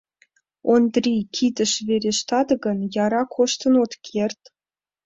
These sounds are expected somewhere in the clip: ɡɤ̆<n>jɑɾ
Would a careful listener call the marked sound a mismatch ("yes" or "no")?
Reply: no